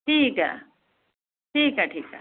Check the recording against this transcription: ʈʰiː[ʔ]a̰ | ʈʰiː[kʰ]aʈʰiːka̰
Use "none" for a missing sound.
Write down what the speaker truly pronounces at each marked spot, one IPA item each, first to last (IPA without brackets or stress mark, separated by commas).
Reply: k, k